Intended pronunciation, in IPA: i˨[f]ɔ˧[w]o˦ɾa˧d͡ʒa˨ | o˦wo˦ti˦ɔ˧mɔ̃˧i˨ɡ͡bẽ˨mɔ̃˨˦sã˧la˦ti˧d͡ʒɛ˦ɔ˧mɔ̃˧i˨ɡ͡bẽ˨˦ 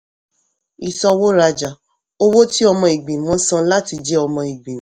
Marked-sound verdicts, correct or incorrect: incorrect, correct

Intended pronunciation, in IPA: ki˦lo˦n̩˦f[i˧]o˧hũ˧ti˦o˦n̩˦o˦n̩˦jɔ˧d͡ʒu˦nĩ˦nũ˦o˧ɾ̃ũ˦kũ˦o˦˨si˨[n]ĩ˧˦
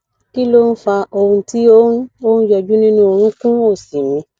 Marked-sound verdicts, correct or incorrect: incorrect, incorrect

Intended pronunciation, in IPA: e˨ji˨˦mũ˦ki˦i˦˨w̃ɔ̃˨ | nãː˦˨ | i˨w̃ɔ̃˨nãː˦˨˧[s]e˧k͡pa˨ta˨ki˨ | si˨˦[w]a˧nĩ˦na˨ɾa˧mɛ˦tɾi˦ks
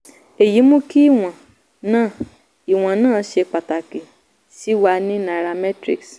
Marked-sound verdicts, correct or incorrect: incorrect, correct

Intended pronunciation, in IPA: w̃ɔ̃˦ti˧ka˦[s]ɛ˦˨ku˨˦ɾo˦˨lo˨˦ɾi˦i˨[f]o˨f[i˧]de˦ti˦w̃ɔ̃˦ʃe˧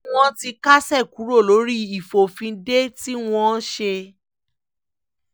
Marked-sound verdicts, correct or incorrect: correct, correct, incorrect

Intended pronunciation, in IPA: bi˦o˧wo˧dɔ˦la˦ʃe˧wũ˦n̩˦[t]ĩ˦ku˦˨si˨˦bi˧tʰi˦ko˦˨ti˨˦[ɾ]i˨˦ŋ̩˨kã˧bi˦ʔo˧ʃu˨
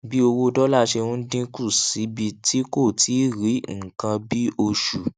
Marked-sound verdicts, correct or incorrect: incorrect, correct

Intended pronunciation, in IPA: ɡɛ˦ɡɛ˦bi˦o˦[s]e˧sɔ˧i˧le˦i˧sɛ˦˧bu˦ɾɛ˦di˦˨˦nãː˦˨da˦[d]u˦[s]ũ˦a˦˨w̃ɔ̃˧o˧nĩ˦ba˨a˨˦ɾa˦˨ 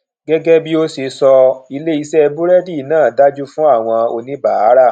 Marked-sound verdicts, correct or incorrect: correct, incorrect, incorrect

